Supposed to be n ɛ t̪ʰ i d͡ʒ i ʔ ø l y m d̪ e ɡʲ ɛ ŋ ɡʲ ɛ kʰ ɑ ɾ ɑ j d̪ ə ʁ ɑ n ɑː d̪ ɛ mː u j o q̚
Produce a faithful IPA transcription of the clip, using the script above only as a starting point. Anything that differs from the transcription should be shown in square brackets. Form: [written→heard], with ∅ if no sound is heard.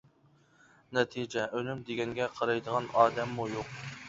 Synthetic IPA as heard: n ɛ t̪ʰ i d͡ʒ [i→ɛ] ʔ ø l y m d̪ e ɡʲ ɛ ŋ ɡʲ ɛ [kʰ→qʰ] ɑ ɾ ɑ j d̪ ə ʁ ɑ n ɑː d̪ ɛ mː u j o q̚